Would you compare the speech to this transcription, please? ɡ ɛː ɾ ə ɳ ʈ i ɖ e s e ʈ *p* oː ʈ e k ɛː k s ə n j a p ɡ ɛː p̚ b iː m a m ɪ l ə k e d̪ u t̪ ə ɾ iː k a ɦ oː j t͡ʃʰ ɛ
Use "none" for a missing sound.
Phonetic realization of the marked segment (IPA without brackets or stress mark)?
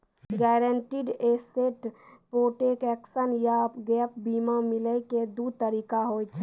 p